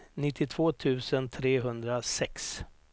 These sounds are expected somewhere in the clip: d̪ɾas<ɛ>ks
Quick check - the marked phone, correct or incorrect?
correct